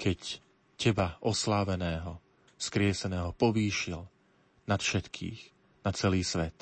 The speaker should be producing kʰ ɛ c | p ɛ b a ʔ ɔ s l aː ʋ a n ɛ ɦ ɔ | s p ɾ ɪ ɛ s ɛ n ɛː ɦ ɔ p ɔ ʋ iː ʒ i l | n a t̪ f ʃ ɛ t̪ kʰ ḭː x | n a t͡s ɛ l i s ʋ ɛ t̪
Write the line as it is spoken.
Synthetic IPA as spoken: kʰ ɛ c | c ɛ b a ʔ ɔ s l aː ʋ ɛ n ɛː ɦ ɔ | s k ɾ ɪ ɛ s ɛ n ɛː ɦ ɔ p ɔ ʋ iː ʃ i l | n a t̪ f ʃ ɛ t̪ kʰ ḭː x | n a t͡s ɛ l iː s ʋ ɛ t̪